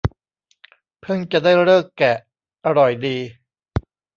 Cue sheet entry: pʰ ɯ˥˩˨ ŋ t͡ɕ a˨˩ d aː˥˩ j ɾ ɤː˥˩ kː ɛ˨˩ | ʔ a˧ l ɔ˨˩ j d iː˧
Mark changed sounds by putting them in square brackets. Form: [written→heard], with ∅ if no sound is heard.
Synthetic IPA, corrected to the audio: pʰ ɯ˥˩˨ ŋ t͡ɕ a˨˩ d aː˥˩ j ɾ ɤː˥˩ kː ɛ˨˩ | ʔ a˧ [l→ɾ] ɔ˨˩ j d iː˧